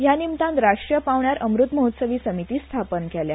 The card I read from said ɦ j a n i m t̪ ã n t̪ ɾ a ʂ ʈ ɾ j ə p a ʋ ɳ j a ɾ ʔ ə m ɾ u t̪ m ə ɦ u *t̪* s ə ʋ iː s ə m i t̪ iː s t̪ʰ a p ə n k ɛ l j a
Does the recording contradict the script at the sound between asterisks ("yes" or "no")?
no